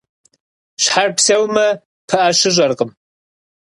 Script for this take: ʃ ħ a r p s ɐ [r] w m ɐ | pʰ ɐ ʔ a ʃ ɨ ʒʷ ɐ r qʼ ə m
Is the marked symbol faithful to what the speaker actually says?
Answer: no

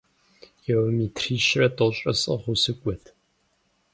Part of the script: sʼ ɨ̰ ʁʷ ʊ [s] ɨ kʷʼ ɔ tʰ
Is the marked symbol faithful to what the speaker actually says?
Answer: yes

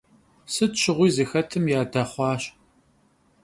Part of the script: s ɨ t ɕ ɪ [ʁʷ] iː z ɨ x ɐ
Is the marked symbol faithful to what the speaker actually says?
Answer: yes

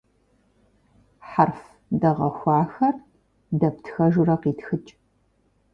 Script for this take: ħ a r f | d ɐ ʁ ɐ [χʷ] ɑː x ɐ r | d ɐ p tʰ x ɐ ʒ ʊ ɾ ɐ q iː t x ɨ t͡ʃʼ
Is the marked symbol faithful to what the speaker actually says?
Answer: no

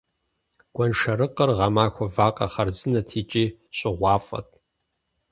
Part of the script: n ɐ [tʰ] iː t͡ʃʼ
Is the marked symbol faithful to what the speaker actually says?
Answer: yes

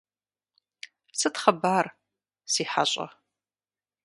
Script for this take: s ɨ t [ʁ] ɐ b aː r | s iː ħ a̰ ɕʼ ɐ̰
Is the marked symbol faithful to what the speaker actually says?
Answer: no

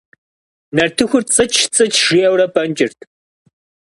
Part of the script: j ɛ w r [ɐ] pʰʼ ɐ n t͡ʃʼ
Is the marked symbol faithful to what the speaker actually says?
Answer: yes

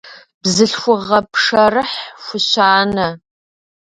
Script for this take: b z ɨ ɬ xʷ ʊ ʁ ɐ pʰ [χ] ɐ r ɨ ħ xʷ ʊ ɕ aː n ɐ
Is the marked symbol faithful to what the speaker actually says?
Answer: no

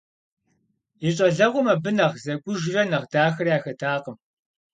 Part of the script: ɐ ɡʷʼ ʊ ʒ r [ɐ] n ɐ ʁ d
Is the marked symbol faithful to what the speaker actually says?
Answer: yes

